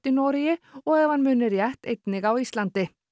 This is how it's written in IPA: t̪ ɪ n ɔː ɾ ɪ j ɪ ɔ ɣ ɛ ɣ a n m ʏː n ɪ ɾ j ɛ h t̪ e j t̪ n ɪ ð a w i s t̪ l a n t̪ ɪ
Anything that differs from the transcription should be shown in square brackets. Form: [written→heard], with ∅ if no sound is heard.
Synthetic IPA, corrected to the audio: t̪ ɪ n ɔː ɾ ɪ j ɪ ɔ ɣ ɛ [ɣ→v] a n m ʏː n ɪ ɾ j ɛ h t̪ e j t̪ n ɪ [ð→ɣ] a w i s t̪ l a n t̪ ɪ